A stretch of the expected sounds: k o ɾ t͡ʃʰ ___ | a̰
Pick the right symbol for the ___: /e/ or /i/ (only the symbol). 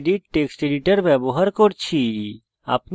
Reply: i